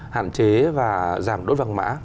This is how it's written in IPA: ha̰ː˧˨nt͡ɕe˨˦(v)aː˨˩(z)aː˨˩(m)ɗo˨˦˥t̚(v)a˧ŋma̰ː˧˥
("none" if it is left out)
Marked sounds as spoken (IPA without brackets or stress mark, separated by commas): v, z, m, v